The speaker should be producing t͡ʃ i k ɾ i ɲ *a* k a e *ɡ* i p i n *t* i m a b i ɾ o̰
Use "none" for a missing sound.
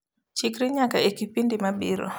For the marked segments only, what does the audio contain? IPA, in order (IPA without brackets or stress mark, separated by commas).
a, k, d